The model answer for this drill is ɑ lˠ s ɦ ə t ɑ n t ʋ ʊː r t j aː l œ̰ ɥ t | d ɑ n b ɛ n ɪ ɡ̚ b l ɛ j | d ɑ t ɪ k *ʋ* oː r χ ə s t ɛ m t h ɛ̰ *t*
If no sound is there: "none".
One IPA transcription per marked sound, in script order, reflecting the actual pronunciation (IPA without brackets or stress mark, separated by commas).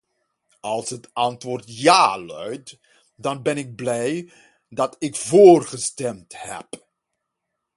v, p